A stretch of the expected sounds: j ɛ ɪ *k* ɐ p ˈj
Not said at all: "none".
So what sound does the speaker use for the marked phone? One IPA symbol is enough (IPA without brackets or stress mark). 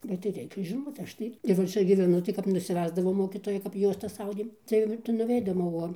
k